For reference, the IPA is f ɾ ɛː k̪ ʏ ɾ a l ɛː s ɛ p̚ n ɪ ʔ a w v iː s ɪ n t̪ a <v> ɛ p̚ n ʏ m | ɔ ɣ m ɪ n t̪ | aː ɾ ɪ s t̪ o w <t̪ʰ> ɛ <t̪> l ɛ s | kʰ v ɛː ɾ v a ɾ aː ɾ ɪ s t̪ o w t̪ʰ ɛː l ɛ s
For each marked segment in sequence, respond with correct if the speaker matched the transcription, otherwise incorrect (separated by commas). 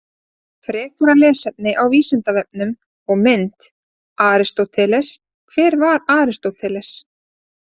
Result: correct, correct, incorrect